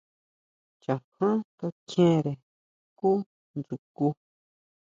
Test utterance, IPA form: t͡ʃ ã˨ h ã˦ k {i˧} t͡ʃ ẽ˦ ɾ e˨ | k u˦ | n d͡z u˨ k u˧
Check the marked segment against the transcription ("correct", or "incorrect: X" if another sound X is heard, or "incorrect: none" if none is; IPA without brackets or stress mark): incorrect: a˧